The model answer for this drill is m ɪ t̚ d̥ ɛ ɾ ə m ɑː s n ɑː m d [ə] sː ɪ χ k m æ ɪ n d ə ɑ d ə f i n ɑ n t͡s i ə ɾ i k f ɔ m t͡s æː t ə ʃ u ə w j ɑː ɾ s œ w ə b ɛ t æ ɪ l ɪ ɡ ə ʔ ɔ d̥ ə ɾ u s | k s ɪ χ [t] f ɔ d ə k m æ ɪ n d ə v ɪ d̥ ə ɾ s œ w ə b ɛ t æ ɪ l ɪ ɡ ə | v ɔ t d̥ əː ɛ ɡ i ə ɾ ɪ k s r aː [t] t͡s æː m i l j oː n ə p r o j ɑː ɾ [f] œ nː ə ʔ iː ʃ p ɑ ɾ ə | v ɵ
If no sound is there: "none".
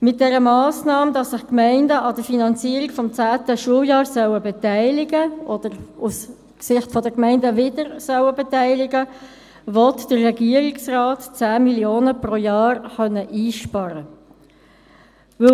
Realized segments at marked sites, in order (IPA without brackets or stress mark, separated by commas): ɑ, t, t, χ